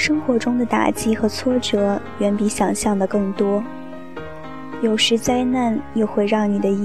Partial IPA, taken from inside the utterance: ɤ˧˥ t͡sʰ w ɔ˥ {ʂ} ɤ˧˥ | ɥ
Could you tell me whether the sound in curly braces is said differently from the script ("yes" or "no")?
yes